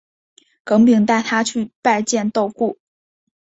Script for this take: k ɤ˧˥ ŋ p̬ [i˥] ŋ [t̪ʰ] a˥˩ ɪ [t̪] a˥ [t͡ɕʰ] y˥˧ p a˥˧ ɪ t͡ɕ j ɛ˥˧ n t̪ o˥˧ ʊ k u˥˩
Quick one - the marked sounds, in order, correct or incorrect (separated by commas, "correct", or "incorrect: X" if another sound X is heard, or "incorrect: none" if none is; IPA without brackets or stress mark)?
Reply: incorrect: i˨˩, incorrect: t̪, incorrect: t̪ʰ, correct